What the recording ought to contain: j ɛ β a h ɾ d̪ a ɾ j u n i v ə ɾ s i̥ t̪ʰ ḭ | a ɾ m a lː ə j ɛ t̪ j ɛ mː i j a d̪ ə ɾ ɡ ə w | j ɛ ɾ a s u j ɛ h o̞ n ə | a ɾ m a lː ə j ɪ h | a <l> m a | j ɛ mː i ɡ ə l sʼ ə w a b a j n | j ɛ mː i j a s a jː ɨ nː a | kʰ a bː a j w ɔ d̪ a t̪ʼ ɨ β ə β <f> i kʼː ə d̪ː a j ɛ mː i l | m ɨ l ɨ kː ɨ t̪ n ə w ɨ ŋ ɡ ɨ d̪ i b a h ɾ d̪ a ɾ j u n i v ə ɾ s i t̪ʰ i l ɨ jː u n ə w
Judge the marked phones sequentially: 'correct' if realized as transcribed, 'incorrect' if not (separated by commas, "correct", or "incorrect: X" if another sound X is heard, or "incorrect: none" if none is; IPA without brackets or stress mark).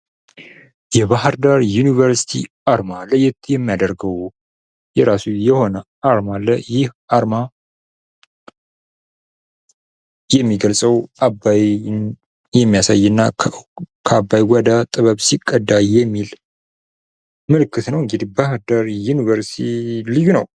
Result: incorrect: ɾ, incorrect: s